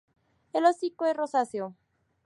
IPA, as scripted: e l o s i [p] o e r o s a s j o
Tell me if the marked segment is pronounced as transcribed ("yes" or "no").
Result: no